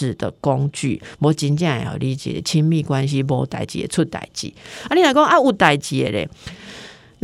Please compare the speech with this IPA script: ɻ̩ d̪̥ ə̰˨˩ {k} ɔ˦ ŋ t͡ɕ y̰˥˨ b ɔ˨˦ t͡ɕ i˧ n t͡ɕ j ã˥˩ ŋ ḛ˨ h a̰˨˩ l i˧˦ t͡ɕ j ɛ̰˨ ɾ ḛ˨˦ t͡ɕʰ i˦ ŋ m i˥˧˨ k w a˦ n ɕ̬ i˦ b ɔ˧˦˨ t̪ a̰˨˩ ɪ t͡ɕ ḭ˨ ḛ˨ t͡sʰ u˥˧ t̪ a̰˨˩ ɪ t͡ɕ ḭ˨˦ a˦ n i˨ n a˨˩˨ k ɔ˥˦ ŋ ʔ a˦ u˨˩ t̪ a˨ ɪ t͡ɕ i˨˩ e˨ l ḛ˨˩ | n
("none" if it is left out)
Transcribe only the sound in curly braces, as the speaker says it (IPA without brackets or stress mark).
k